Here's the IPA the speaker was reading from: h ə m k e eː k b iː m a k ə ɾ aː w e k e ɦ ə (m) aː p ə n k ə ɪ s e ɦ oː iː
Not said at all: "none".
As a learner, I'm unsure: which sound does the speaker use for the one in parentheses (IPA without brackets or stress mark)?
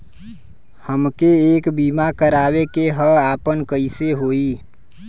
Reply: none